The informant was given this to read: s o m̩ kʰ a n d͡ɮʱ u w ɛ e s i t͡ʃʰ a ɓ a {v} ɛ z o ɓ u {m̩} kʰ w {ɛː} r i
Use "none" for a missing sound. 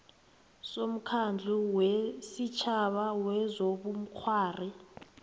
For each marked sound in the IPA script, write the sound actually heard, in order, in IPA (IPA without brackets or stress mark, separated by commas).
w, m̩, aː